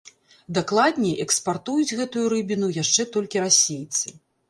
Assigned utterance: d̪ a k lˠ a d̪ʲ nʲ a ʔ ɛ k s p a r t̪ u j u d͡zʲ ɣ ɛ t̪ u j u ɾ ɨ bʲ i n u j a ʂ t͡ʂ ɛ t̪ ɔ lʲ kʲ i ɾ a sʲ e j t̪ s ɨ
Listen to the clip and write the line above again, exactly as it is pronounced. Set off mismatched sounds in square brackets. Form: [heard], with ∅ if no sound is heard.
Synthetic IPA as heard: d̪ a k lˠ a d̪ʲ nʲ [ɛ] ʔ ɛ k s p a r t̪ u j u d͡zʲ ɣ ɛ t̪ u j u ɾ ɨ bʲ i n u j a ʂ t͡ʂ ɛ t̪ ɔ lʲ kʲ i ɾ a sʲ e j t̪ s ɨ